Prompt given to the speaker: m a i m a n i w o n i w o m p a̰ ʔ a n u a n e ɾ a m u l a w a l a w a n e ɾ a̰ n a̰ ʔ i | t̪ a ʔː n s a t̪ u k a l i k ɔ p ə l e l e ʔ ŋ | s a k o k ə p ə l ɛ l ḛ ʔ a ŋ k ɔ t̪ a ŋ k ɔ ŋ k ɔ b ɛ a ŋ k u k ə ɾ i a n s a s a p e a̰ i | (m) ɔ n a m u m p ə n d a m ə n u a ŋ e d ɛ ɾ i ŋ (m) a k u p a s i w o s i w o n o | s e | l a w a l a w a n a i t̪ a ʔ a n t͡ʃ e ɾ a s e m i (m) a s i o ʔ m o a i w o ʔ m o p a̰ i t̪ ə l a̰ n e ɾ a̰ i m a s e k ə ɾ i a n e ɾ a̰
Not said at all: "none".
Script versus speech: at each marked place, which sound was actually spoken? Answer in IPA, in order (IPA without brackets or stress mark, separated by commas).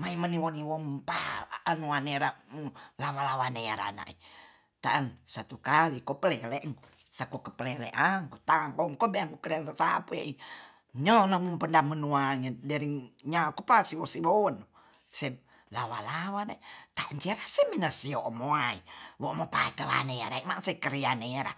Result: ɲ, ɲ, n